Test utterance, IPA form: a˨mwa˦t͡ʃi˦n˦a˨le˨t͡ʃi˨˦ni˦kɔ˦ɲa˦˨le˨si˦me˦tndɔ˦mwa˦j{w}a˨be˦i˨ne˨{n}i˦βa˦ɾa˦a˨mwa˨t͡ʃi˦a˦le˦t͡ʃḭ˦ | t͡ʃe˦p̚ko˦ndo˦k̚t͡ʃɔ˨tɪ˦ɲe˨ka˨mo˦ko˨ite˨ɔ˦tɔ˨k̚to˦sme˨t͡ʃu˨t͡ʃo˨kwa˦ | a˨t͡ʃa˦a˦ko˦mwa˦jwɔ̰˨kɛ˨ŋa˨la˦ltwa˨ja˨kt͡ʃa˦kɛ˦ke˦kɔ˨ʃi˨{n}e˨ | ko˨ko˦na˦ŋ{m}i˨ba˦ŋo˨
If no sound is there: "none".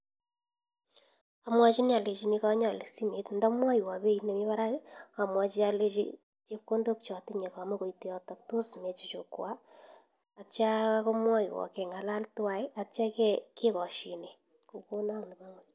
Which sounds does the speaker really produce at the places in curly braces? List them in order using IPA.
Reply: w, m, n, n

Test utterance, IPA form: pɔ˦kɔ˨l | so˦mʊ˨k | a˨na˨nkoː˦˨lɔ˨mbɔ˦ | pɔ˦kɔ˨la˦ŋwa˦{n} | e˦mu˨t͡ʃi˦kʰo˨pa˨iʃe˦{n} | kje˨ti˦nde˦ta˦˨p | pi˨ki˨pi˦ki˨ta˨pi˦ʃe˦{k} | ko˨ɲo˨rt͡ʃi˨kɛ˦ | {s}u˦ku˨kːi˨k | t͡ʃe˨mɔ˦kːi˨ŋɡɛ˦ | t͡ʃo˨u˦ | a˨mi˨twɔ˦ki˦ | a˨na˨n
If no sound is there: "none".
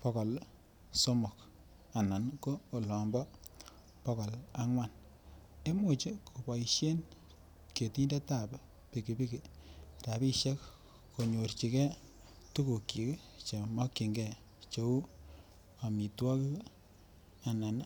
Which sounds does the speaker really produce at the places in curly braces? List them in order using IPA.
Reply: n, n, k, t

